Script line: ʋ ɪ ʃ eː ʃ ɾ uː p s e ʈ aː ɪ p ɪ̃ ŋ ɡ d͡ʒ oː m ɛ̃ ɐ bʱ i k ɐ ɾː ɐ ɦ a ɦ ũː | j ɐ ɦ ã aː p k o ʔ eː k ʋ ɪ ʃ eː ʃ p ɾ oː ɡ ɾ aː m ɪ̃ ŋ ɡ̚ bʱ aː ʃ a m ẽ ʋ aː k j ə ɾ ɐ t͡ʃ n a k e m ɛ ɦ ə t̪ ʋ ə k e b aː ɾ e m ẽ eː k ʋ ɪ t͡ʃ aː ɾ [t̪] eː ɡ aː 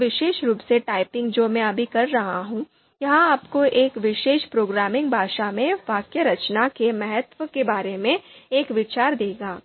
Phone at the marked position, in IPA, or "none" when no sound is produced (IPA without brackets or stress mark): d̪